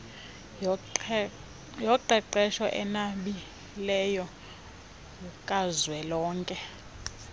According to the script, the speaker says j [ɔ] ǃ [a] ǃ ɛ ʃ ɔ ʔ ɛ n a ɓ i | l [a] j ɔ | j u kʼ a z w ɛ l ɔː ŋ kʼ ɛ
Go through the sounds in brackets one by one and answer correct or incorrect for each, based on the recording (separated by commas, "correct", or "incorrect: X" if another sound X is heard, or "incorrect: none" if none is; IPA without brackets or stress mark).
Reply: correct, incorrect: ɛ, incorrect: ɛ